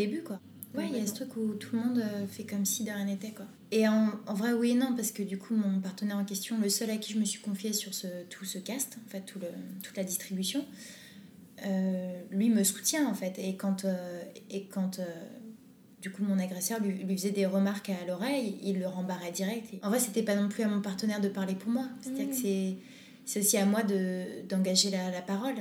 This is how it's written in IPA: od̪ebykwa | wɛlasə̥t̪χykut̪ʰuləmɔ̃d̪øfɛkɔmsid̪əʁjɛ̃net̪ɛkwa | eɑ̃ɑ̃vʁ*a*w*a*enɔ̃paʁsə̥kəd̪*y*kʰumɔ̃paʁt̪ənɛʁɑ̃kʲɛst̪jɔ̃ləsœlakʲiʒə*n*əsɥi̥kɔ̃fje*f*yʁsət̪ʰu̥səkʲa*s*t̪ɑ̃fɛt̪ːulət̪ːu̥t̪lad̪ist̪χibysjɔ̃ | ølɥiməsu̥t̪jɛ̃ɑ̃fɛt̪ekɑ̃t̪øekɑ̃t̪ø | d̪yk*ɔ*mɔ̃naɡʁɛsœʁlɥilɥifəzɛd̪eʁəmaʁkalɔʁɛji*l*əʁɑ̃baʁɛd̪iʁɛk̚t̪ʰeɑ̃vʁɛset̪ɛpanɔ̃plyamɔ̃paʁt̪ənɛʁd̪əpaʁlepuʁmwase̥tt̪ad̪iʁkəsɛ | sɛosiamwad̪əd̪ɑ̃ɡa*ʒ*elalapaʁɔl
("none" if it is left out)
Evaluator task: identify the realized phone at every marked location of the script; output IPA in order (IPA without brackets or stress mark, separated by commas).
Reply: ɛ, i, y, m, s, s, u, lː, ʒ